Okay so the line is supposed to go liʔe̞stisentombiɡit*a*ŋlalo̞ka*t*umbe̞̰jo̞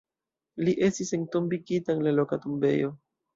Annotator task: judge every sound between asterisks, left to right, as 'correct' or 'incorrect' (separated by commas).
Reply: correct, correct